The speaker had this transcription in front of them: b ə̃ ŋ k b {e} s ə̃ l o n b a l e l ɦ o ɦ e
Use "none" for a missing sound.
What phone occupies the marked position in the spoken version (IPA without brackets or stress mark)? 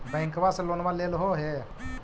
a